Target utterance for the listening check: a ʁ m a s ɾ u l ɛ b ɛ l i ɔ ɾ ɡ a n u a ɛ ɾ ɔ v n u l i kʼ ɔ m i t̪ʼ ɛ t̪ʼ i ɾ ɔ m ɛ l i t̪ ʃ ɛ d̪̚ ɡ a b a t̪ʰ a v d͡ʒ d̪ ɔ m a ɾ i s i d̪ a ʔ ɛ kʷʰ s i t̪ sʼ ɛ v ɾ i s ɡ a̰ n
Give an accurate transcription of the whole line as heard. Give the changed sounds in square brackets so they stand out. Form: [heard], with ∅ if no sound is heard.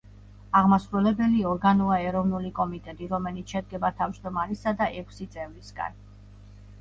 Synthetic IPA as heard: a ʁ m a s ɾ u l ɛ b ɛ l i ɔ ɾ ɡ a n u a ɛ ɾ ɔ v n u l i kʼ ɔ m i t̪ʼ ɛ t̪ʼ i ɾ ɔ m ɛ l i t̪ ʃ ɛ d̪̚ ɡ [ɛ] b a t̪ʰ a v d͡ʒ d̪ ɔ m a ɾ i s [a] d̪ a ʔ ɛ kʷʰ s i t̪ sʼ ɛ v ɾ i s ɡ a̰ n